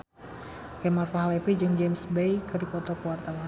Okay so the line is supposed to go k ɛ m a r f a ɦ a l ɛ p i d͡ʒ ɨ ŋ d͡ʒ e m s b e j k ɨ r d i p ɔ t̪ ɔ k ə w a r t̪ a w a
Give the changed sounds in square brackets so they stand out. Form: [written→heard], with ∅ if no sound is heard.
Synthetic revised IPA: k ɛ m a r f a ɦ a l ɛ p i d͡ʒ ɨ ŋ d͡ʒ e m s b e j k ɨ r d i p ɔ t̪ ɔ k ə w a r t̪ a w a